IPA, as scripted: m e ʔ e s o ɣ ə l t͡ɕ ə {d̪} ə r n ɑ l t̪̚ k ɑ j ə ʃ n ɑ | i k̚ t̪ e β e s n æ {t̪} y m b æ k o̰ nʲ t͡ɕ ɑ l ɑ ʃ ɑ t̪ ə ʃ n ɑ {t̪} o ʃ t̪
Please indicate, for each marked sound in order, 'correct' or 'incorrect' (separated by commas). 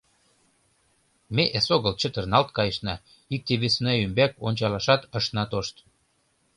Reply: incorrect, incorrect, correct